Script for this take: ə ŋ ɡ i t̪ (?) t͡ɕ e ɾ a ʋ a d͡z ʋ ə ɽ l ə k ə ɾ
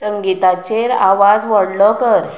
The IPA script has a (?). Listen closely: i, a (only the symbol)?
a